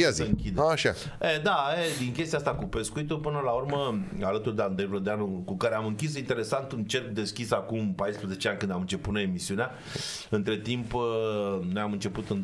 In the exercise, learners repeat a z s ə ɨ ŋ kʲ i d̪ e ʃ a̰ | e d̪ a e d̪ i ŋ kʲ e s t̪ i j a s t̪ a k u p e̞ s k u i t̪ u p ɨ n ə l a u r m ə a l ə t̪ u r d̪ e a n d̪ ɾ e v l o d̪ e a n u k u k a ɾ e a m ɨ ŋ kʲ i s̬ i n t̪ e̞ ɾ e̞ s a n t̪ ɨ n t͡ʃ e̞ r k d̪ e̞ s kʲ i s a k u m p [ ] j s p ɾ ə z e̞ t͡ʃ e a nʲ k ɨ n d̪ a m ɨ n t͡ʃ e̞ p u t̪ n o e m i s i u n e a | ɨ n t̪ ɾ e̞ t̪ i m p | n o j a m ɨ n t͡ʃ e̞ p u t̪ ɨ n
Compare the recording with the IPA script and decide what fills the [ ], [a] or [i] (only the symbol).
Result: a